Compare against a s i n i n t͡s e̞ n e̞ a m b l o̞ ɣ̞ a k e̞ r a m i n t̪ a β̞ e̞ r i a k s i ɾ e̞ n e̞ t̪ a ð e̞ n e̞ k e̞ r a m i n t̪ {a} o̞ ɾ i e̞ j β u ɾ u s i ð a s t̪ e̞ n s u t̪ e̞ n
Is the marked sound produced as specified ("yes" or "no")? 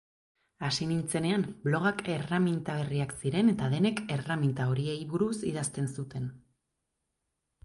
yes